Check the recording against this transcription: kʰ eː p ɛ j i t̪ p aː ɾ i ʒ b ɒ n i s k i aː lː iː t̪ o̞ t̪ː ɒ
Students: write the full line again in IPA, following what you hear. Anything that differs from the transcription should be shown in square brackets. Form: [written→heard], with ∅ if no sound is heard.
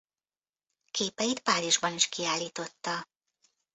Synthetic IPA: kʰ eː p ɛ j i t̪ p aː ɾ i ʒ b ɒ n i [s→ʃ] k i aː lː iː t̪ o̞ t̪ː ɒ

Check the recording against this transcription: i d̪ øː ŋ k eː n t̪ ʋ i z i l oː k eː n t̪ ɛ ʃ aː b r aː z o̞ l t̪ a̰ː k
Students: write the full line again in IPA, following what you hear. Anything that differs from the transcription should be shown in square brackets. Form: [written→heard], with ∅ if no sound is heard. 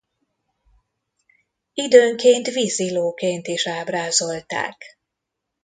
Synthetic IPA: i d̪ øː ŋ k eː n t̪ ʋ i z i l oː k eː n t̪ [ɛ→i] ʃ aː b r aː z o̞ l t̪ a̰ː k

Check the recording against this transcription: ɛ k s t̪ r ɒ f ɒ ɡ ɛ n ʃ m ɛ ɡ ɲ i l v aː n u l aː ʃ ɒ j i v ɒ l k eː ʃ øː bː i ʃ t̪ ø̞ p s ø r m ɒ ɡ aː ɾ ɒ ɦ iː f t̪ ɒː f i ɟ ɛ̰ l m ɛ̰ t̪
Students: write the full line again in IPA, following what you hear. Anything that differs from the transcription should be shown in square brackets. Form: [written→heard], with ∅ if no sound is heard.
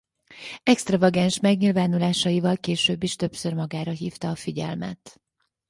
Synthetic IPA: ɛ k s t̪ r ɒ [f→v] ɒ ɡ ɛ n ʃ m ɛ ɡ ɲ i l v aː n u l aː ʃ ɒ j i v ɒ l k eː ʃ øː bː i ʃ t̪ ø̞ p s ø r m ɒ ɡ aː ɾ ɒ ɦ iː f t̪ ɒː f i ɟ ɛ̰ l m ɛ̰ t̪

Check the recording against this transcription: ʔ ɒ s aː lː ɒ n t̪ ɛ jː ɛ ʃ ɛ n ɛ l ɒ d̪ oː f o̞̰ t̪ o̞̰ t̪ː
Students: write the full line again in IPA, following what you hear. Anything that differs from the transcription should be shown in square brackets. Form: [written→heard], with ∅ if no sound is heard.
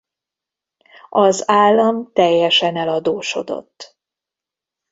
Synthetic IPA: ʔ ɒ [s→z] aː lː ɒ [n→m] t̪ ɛ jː ɛ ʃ ɛ n ɛ l ɒ d̪ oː [f→ʃ] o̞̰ [t̪→d̪] o̞̰ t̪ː

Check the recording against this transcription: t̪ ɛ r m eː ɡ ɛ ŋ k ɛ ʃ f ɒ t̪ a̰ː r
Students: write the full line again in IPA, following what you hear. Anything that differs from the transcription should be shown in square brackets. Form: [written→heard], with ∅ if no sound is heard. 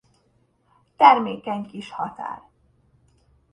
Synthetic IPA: t̪ ɛ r m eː [ɡ→k] ɛ [ŋ→ɲ] k [ɛ→i] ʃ [f→h] ɒ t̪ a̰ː r

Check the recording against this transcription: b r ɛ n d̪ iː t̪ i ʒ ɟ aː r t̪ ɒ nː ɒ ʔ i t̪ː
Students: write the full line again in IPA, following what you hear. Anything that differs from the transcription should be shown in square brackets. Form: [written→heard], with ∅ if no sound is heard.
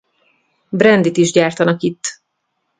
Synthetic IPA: b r ɛ n d̪ [iː→i] t̪ i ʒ ɟ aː r t̪ ɒ [nː→n] ɒ [ʔ→k] i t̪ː

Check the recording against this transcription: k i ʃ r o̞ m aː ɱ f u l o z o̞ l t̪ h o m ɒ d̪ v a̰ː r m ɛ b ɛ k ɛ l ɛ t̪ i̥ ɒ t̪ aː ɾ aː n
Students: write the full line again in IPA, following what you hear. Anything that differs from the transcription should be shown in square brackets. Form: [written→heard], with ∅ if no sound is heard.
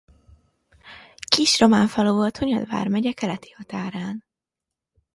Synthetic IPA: k i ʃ r o̞ m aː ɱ f [u→ɒ] l o [z→v] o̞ l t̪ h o [m→ɲ] ɒ d̪ v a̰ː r m ɛ [b→ɟ] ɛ k ɛ l ɛ t̪ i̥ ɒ t̪ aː ɾ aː n

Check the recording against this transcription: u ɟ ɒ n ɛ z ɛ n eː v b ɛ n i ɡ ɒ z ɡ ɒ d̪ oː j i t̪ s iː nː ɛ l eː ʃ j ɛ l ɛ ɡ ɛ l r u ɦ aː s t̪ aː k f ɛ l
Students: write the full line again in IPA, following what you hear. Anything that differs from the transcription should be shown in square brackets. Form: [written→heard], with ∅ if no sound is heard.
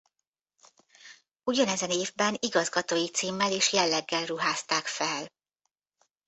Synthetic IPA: u ɟ ɒ n ɛ z ɛ n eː v b ɛ n i ɡ ɒ z ɡ ɒ [d̪→t̪] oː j i t̪ s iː [nː→mː] ɛ l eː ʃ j ɛ [l→lː] ɛ [ɡ→ɡː] ɛ l r u ɦ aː s t̪ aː k f ɛ l

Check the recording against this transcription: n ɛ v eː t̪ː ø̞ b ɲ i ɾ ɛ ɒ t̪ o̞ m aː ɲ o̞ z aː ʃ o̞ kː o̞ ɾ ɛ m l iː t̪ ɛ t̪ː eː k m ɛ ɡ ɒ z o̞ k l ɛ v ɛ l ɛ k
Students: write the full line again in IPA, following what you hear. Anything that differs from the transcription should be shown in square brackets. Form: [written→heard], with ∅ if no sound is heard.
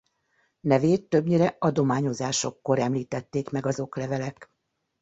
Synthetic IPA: n ɛ v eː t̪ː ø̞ b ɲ i ɾ ɛ ɒ [t̪→d̪] o̞ m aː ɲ o̞ z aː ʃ o̞ kː o̞ ɾ ɛ m l iː t̪ ɛ t̪ː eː k m ɛ ɡ ɒ z o̞ k l ɛ v ɛ l ɛ k

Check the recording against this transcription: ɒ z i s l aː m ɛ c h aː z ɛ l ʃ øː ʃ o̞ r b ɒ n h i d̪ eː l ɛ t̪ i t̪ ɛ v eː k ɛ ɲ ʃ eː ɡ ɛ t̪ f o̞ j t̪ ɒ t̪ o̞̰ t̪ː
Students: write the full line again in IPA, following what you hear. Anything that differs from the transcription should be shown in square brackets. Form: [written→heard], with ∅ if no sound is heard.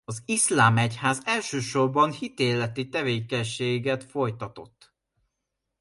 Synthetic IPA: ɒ z i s l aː m ɛ c h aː z ɛ l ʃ øː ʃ o̞ r b ɒ n h i [d̪→t̪] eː l ɛ t̪ i t̪ ɛ v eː k ɛ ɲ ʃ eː ɡ ɛ t̪ f o̞ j t̪ ɒ t̪ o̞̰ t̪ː

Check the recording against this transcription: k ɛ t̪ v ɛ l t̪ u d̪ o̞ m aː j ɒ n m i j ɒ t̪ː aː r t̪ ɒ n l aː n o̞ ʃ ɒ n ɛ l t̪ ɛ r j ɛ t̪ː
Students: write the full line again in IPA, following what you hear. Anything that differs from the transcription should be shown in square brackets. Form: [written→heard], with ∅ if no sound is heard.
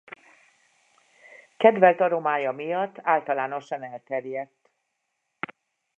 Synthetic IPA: k ɛ [t̪→d̪] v ɛ l t̪ [u→ɒ] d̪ o̞ m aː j ɒ [n→∅] m i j ɒ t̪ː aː [r→l] t̪ ɒ [n→∅] l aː n o̞ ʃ ɒ n ɛ l t̪ ɛ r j ɛ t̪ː

